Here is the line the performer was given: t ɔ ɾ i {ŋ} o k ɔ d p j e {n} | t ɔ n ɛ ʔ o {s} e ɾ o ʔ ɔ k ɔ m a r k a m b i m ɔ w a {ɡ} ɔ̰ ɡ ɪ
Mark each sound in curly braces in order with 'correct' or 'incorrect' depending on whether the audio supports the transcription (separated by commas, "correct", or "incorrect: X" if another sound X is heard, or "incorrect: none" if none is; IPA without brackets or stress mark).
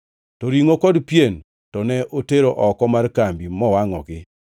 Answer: correct, correct, incorrect: t, incorrect: ŋ